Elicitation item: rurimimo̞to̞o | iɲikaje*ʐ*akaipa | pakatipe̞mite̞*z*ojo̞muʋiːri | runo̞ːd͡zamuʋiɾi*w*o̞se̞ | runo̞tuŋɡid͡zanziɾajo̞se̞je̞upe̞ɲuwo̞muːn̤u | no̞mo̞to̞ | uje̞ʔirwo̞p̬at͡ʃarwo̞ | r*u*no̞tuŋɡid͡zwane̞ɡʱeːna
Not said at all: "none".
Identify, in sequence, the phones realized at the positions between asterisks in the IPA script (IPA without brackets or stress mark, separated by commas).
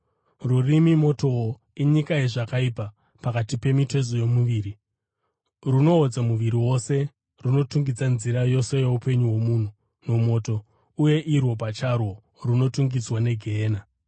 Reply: ʐ, z, w, u